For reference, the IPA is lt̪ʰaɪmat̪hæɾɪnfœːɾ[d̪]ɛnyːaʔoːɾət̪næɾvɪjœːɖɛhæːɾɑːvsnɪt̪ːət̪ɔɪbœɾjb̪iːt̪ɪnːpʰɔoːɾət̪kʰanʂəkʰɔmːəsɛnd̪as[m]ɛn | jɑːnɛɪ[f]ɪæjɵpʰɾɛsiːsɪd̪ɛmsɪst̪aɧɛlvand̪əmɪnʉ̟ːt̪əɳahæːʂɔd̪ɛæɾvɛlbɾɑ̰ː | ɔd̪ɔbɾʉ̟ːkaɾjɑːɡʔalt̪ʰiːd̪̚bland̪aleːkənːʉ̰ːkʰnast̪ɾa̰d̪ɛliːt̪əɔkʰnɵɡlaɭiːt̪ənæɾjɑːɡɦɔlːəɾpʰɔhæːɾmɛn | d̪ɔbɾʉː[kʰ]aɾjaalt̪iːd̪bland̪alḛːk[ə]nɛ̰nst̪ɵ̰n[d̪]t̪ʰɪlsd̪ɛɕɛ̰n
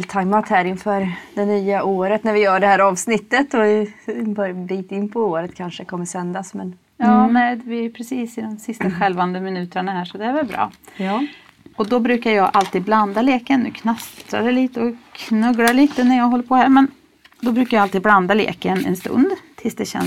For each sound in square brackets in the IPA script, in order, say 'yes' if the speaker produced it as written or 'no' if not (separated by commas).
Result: yes, yes, no, no, yes, yes